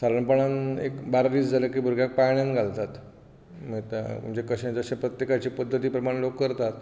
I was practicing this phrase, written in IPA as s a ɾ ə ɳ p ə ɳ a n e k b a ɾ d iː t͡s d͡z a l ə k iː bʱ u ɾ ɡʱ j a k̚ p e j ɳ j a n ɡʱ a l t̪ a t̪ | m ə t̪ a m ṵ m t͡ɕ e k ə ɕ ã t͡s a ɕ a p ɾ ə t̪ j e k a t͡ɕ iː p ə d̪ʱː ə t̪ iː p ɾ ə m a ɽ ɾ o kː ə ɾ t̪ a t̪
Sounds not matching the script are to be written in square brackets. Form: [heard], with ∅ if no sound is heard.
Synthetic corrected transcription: s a ɾ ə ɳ p ə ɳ a n e k b a ɾ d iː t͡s d͡z a l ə k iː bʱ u ɾ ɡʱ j a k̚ p [a] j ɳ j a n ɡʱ a l t̪ a t̪ | m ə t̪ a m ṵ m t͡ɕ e k ə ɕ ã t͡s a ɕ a p ɾ ə t̪ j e k a t͡ɕ iː p ə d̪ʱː ə t̪ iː p ɾ ə m a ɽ [l] o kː ə ɾ t̪ a t̪